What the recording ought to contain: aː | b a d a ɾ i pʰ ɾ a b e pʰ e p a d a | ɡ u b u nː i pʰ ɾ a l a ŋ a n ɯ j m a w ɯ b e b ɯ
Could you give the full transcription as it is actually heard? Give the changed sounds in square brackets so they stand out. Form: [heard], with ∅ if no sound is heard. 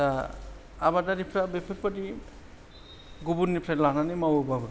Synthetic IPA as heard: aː | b a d a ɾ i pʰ ɾ a b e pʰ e p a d [i] | ɡ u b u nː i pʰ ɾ a l a [n] a n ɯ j m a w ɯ b [a] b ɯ